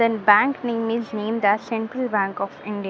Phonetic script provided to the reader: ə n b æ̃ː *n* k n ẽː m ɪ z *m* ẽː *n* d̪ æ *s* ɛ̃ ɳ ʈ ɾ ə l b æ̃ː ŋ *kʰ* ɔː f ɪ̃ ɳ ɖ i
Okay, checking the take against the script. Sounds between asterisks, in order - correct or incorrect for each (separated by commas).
incorrect, incorrect, incorrect, correct, incorrect